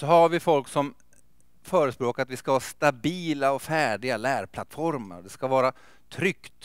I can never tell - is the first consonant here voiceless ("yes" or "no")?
yes